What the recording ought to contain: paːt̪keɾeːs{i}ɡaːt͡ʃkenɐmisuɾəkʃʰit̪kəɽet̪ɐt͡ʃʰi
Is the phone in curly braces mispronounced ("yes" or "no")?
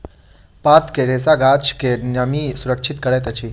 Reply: yes